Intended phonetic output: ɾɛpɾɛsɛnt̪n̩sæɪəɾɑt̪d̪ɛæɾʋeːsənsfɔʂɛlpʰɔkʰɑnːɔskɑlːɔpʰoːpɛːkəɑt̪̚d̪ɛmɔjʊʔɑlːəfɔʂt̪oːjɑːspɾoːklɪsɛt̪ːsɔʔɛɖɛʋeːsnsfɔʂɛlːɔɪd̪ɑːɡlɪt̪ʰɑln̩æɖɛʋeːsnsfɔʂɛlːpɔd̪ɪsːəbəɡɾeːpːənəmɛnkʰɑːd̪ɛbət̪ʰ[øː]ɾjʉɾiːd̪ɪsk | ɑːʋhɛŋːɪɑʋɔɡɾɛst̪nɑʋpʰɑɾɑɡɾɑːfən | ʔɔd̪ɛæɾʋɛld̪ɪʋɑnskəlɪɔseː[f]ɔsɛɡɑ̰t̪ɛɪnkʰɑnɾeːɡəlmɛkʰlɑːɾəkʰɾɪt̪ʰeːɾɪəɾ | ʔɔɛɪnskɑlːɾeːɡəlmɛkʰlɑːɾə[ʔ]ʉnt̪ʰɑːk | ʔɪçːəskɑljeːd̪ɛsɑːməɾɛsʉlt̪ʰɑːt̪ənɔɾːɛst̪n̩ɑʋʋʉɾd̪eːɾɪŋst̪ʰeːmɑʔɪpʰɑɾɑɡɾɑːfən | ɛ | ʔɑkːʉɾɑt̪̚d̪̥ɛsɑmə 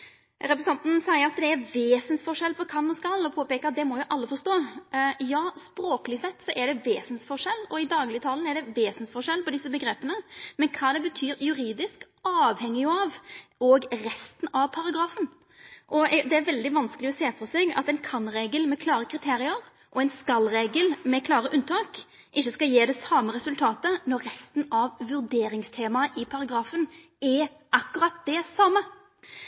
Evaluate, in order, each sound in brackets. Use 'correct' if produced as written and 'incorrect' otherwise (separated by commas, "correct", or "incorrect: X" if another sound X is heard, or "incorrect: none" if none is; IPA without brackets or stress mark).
incorrect: yː, correct, correct